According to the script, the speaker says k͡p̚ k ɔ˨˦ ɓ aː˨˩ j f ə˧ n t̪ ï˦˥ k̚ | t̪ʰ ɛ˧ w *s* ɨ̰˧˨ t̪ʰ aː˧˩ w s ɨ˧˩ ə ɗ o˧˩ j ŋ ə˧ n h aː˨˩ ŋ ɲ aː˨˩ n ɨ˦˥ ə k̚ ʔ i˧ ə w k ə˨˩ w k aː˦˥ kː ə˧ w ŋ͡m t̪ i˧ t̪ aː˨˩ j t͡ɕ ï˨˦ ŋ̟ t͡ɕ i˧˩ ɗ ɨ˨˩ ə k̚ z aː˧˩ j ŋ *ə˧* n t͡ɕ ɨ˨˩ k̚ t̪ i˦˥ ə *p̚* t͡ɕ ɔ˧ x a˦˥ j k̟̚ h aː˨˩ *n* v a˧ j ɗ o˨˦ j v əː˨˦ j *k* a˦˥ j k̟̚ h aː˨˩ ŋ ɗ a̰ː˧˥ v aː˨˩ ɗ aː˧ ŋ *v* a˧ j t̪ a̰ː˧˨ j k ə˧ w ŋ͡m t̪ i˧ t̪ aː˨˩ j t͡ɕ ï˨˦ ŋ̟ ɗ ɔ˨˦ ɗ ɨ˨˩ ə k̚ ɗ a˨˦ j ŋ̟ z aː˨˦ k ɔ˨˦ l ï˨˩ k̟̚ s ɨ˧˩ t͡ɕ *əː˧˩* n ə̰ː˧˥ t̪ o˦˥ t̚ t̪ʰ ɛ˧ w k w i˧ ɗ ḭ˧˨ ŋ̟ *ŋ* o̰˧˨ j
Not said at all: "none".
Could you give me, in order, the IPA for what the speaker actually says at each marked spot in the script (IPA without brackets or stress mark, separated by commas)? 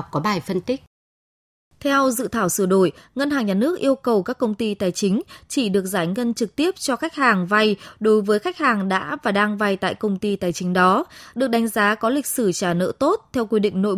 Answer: z, ə˧, p̚, ŋ, x, v, aː˧˩, n